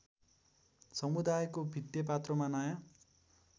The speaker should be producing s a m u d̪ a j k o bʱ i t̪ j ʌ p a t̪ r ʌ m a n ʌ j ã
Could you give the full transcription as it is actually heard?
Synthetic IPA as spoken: s ʌ m u d̪ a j k o bʱ i t̪ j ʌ p a t̪ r ʌ m a n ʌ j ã